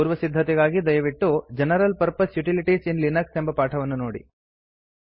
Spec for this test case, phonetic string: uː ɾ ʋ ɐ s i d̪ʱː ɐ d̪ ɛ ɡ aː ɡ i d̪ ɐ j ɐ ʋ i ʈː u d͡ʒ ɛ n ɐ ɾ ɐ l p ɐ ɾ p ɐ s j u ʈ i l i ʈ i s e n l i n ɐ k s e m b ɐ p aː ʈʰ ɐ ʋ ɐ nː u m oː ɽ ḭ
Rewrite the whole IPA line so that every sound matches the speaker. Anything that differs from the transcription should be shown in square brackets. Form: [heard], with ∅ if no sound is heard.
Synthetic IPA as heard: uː ɾ ʋ ɐ s i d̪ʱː ɐ [t̪] ɛ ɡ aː ɡ i d̪ ɐ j ɐ ʋ i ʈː u d͡ʒ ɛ n ɐ ɾ ɐ l p ɐ ɾ p ɐ s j u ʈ i l i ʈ i s [i] n l i n ɐ k s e m b ɐ p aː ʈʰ ɐ ʋ ɐ nː u [n] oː ɽ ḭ